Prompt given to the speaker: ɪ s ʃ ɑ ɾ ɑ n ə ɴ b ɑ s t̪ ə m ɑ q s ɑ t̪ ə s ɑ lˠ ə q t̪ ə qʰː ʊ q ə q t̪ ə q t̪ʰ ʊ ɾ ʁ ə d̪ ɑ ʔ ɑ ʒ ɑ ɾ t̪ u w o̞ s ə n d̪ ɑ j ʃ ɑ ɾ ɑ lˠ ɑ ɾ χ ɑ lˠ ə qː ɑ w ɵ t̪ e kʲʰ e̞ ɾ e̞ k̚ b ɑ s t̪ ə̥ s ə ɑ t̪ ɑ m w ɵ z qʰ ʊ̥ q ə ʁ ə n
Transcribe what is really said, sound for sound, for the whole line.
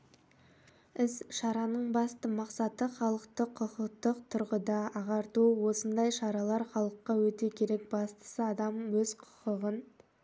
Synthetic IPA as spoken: ɪ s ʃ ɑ ɾ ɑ n ə ɴ b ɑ s t̪ ə m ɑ q s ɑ t̪ ə χ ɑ lˠ ə q t̪ ə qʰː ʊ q ə q t̪ ə q t̪ʰ ʊ ɾ ʁ ə d̪ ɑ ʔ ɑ ʁ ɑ ɾ t̪ u w o̞ s ə n d̪ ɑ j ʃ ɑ ɾ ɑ lˠ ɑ ɾ χ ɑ lˠ ə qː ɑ w ɵ t̪ e kʲʰ e̞ ɾ e̞ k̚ b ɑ s t̪ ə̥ s ə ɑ d̪ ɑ m w ɵ z qʰ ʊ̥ q ə ʁ ə n